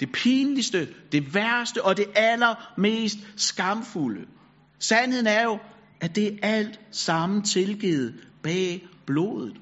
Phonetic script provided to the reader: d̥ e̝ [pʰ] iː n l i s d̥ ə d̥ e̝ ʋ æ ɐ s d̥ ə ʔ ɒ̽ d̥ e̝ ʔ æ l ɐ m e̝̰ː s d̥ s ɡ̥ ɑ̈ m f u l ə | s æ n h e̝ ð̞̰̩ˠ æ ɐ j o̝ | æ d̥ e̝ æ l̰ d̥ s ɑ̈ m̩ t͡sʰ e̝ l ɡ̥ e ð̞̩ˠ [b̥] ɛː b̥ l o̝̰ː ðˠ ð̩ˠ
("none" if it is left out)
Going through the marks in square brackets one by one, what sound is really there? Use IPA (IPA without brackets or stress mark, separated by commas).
pʰ, b̥